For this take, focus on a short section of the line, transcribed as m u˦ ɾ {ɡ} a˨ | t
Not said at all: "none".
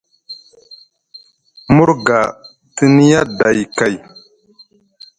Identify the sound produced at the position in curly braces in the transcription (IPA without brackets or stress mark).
ɡ